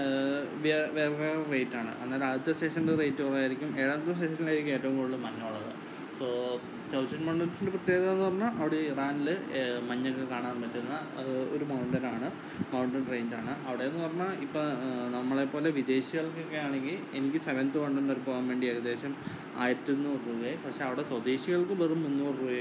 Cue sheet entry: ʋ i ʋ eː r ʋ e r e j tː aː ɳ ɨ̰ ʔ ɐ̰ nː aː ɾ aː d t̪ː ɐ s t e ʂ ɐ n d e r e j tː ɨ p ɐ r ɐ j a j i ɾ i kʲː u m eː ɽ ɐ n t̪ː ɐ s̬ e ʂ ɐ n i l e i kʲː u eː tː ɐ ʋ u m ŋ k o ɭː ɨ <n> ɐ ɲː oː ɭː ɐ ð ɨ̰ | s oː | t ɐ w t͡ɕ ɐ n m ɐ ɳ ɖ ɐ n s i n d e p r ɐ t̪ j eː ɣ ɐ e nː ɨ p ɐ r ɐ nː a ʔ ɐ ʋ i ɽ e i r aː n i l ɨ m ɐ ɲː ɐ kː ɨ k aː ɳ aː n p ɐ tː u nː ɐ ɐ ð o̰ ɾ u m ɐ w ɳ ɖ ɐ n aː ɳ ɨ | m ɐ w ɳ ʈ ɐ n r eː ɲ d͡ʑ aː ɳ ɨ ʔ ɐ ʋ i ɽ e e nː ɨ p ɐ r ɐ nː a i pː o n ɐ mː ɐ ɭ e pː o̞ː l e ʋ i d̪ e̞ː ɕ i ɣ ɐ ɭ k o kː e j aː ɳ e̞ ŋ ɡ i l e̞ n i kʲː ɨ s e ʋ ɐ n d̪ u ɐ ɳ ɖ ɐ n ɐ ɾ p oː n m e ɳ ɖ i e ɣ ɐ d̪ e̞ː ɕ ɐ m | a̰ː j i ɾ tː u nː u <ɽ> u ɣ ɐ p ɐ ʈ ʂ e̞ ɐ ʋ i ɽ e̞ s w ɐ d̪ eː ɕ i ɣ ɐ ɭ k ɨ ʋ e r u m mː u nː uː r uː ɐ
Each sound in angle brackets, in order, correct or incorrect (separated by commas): incorrect, incorrect